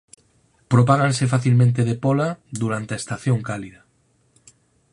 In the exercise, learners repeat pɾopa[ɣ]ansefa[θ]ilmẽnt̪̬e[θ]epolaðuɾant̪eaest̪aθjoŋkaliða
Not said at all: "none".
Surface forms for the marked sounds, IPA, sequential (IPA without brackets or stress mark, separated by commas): ɣ, θ, ð